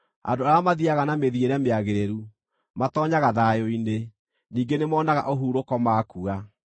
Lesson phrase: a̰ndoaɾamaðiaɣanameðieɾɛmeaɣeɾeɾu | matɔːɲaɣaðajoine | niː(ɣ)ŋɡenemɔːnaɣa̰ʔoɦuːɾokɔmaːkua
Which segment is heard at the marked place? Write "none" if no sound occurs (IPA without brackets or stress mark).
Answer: none